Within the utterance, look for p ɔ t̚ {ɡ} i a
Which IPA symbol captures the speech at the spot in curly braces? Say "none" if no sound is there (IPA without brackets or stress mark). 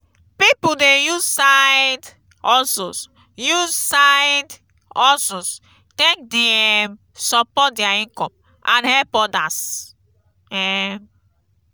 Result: d